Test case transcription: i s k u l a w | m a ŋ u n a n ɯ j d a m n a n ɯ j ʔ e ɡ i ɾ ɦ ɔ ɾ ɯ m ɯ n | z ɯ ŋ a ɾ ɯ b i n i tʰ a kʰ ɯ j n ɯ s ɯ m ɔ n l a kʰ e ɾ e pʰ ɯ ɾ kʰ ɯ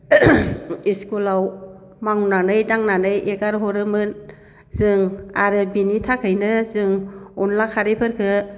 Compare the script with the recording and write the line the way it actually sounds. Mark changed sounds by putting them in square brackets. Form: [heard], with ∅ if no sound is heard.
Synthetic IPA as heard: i s k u l a w | m a ŋ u n a n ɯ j d a [ŋ] n a n ɯ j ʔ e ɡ [a] ɾ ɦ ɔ ɾ ɯ m ɯ n | z ɯ ŋ a ɾ ɯ b i n i tʰ a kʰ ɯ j n ɯ [z] ɯ [ŋ] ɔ n l a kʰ [a] ɾ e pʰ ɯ ɾ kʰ ɯ